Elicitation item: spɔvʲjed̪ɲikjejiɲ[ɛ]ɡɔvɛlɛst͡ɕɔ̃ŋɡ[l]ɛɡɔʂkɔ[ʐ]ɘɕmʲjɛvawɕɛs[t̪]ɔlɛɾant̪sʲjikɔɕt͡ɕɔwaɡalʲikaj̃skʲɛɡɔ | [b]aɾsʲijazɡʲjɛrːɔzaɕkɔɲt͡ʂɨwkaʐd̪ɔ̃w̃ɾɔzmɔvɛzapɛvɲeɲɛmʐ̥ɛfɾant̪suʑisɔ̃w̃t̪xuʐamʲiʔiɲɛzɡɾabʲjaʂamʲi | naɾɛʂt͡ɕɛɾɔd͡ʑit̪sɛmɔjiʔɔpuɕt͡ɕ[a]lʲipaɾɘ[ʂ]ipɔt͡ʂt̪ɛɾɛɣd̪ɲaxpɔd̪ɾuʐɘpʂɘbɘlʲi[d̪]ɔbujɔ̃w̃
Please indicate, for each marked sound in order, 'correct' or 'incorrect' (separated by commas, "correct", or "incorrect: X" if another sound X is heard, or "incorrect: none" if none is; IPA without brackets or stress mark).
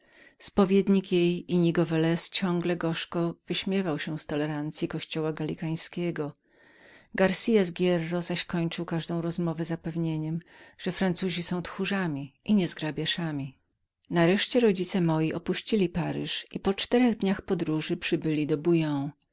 incorrect: i, correct, incorrect: v, correct, incorrect: ɡ, incorrect: i, correct, correct